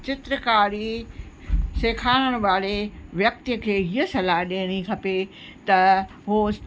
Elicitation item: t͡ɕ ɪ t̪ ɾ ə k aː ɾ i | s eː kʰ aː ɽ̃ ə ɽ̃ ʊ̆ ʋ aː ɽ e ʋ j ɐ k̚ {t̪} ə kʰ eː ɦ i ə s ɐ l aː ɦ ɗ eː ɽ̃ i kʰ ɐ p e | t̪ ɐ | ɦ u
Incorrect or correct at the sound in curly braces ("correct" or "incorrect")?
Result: correct